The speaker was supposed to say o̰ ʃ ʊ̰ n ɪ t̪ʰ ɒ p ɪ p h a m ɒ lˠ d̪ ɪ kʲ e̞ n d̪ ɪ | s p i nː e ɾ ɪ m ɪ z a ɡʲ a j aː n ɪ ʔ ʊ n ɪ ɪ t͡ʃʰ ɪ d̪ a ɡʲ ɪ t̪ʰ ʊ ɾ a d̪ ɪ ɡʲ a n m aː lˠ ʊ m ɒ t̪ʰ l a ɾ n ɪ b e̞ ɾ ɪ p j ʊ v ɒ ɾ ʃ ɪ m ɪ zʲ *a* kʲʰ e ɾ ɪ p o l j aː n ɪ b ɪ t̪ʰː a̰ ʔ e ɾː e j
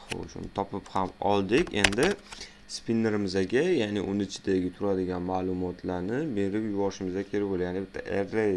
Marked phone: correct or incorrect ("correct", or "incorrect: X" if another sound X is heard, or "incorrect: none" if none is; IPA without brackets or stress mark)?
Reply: correct